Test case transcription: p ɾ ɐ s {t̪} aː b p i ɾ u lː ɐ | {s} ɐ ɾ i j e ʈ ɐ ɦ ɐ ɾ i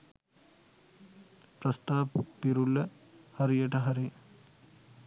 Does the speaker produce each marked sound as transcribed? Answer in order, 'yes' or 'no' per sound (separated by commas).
yes, no